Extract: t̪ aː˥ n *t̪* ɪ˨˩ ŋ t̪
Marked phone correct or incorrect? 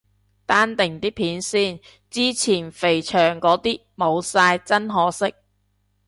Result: correct